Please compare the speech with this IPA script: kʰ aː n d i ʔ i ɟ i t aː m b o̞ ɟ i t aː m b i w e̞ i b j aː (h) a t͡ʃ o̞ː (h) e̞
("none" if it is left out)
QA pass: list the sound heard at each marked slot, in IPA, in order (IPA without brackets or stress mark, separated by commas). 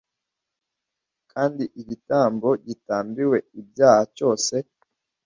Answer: h, s